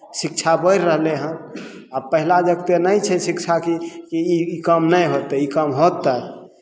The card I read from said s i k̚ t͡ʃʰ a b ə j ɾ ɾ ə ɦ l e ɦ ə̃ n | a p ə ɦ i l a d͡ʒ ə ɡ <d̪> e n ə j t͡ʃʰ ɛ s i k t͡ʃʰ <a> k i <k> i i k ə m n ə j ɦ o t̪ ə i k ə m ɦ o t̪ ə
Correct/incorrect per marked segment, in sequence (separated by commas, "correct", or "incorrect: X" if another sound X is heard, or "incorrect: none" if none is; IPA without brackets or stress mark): incorrect: t̪, correct, correct